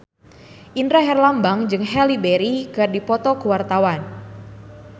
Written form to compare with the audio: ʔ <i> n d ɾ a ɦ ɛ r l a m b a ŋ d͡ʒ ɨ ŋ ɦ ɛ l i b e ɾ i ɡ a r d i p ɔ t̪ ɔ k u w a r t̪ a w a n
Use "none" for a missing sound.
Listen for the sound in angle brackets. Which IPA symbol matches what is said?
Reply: i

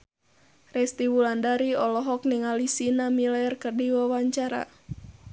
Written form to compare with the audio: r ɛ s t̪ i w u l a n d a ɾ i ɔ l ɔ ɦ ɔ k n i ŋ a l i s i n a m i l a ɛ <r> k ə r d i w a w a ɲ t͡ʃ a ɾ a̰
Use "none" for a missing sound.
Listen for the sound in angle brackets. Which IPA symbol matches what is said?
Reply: r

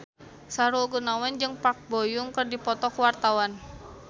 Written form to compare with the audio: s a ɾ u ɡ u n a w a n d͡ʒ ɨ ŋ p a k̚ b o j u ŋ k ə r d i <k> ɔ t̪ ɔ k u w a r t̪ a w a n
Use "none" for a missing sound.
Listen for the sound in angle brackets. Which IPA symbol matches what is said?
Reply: p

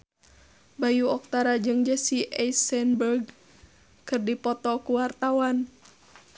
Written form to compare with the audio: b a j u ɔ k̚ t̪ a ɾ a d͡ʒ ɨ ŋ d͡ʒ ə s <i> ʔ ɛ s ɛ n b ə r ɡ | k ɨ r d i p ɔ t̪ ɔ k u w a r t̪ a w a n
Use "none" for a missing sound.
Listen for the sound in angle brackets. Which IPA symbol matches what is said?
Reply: i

